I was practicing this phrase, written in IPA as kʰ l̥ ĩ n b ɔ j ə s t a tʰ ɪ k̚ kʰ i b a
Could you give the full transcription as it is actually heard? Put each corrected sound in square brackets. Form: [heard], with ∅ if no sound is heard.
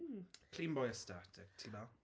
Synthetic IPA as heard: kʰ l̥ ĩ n b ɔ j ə s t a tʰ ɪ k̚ [tʰ] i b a

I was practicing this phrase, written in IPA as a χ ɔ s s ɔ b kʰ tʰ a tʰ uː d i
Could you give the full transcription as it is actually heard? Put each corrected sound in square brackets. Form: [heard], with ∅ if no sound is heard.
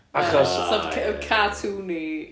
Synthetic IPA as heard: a χ ɔ s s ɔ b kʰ [kʰ] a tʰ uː [n] i

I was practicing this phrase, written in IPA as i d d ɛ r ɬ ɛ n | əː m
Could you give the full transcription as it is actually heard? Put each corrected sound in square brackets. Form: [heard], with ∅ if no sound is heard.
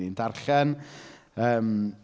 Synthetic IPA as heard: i [n] d [a] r ɬ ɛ n | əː m

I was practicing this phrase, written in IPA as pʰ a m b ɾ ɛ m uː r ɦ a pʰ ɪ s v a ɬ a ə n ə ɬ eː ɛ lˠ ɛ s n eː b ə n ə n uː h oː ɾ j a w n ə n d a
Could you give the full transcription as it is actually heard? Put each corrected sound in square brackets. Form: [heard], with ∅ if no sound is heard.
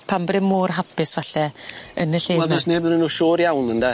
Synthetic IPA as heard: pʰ a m b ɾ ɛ m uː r ɦ a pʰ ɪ s v a ɬ [ɛ] ə n ə ɬ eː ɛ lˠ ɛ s n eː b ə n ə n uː [ʃ] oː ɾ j a w n ə n d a

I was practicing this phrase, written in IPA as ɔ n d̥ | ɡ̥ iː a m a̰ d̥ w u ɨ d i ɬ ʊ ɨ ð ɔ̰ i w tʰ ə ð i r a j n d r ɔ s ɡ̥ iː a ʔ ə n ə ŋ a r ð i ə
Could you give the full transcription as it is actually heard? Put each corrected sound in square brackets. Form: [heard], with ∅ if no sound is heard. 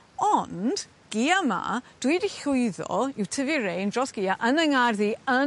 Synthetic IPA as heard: ɔ n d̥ | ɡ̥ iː a m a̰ d̥ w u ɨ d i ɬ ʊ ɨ ð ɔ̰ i w tʰ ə [v] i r [e] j n d r ɔ s ɡ̥ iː a ʔ ə n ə ŋ a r ð i ə

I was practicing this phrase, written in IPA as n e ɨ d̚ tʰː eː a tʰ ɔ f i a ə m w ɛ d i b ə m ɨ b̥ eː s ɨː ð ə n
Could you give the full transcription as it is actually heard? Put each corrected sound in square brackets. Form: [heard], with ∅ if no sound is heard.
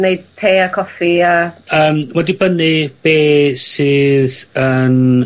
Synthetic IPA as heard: n e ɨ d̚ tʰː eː a [kʰ] ɔ f i a [əː] m w ɛ d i b ə [n] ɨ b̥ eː s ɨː ð ə n

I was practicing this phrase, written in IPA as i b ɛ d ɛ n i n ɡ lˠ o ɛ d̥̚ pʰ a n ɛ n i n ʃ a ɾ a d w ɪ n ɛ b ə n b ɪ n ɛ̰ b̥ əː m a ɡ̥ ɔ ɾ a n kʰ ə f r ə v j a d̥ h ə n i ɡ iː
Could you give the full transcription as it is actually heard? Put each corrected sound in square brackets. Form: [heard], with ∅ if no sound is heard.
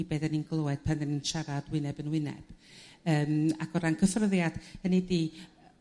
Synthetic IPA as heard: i b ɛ d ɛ n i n ɡ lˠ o ɛ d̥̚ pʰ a n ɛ n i n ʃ a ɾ a d w ɪ n ɛ b ə n [w] ɪ n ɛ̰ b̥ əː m a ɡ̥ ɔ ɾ a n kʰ ə f r ə [ð] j a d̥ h ə n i [d] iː

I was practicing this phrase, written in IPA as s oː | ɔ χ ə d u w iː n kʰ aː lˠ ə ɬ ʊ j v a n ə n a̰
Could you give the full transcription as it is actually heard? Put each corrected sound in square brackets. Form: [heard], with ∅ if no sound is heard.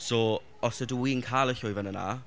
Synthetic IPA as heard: s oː | ɔ [s] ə d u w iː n kʰ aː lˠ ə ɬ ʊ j v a n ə n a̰

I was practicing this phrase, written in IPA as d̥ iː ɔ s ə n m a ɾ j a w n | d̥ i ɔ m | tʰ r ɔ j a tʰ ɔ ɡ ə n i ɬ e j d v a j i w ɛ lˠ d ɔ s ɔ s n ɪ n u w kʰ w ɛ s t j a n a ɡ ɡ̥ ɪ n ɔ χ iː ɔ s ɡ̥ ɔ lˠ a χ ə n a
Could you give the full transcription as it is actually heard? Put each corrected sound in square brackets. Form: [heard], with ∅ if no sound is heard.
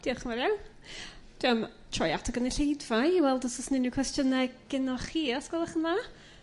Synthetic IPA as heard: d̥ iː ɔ [χ] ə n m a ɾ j a w n | d̥ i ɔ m | tʰ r ɔ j a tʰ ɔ ɡ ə n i ɬ e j d v a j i w ɛ lˠ d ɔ s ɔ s n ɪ n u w kʰ w ɛ s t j [ə] n [ɛ] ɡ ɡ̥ ɪ n ɔ χ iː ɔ s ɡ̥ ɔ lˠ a χ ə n a

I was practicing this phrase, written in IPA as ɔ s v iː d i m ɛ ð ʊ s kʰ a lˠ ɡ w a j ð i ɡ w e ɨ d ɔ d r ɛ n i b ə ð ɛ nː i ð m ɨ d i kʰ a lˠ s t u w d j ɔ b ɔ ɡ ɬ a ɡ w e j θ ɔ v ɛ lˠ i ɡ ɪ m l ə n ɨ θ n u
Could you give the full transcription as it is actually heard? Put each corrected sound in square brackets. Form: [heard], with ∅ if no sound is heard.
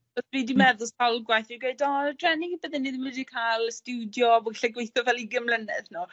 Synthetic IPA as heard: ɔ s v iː d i m ɛ ð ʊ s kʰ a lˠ ɡ w a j [θ] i ɡ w e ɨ d ɔ d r ɛ n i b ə ð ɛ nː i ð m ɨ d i kʰ a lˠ s t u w d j ɔ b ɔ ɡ ɬ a ɡ w e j θ ɔ v ɛ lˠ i ɡ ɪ m l ə n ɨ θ n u

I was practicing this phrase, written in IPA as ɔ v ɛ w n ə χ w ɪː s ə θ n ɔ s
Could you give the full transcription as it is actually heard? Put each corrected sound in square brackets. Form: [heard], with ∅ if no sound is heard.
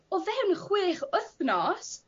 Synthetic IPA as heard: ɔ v ɛ w n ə χ w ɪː [χ] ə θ n ɔ s

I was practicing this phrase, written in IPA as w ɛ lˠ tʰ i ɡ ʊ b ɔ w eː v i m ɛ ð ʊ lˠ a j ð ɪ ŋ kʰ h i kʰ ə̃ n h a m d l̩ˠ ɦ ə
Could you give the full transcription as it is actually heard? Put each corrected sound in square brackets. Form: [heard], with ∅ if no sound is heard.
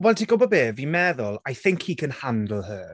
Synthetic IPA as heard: w ɛ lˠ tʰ i ɡ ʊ b ɔ [b] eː v i m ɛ ð ʊ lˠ a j [θ] ɪ ŋ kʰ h i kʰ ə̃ n h a [n] d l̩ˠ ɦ ə

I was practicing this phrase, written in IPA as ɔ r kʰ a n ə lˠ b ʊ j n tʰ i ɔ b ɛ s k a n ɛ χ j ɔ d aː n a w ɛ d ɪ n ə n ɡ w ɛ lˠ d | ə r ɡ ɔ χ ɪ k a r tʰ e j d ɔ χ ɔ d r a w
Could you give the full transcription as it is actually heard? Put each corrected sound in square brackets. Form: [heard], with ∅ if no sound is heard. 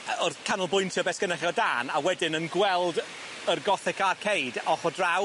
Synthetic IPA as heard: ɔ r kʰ a n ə lˠ b ʊ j n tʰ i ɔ b ɛ s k [ə] n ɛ χ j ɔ d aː n a w ɛ d ɪ n ə n ɡ w ɛ lˠ d | ə r ɡ ɔ [θ] ɪ k a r [kʰ] e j d ɔ χ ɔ d r a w

